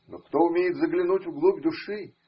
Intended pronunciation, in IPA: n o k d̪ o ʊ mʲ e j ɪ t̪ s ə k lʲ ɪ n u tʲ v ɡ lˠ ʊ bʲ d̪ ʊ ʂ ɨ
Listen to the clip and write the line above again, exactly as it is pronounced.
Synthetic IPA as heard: n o k t̪ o ʊ mʲ e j ɪ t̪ z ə ɡ lʲ ɪ n u tʲ v ɡ lˠ u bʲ d̪ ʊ ʂ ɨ

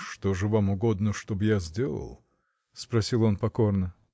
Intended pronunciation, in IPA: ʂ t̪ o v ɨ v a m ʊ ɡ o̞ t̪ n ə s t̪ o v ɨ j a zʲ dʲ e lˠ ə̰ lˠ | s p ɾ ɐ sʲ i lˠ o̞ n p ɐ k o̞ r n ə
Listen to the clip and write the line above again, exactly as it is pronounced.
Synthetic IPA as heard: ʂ t̪ o ʐ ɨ v a m ʊ ɡ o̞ d̪ n ə ʂ t̪ o b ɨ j a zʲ dʲ e lˠ ə̰ lˠ | s p ɾ ɐ sʲ i lˠ o̞ n p ɐ k o̞ r n ə

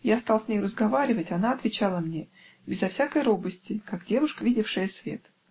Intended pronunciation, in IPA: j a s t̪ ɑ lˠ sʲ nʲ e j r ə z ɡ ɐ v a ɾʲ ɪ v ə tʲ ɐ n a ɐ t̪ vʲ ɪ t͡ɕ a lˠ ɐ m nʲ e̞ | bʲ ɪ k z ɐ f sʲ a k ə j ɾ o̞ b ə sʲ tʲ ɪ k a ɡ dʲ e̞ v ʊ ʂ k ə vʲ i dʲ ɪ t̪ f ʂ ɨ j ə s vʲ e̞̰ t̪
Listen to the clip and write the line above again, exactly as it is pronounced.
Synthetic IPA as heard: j a s t̪ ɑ lˠ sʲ nʲ e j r ə z ɡ ɐ v a ɾʲ ɪ v ə tʲ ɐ n a ɐ t̪ vʲ ɪ t͡ɕ a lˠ ə m nʲ e̞ | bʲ ɪ z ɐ f sʲ a k ə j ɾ o̞ b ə sʲ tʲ ɪ k a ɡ dʲ e̞ v ʊ ʂ k ə vʲ i dʲ ɪ f ʂ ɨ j ə s vʲ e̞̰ t̪

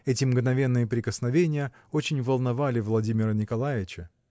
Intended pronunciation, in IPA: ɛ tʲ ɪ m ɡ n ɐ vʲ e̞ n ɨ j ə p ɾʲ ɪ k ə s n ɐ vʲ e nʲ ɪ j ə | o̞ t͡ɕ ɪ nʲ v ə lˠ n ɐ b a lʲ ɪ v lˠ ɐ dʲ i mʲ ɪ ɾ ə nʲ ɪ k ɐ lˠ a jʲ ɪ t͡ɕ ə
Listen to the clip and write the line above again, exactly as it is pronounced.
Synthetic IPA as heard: ɛ tʲ ɪ m ɡ n ɐ vʲ e̞ nː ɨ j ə p ɾʲ ɪ k ə s n ɐ vʲ e nʲ ɪ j ə | o̞ t͡ɕ ɪ nʲ v ə lˠ n ɐ v a lʲ ɪ v lˠ ɐ dʲ i mʲ ɪ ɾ ə nʲ ɪ k ɐ lˠ a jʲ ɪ t͡ɕ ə

